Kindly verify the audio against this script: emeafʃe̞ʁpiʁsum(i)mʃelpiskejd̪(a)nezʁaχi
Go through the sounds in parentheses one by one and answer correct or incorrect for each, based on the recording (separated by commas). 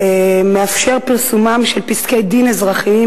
incorrect, incorrect